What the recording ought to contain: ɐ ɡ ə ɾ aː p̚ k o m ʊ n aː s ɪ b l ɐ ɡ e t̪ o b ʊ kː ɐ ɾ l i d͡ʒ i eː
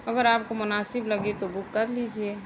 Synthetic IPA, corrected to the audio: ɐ ɡ ə ɾ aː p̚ k o m ʊ n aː s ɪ b l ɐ ɡ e t̪ o b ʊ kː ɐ ɾ l i d͡ʒ i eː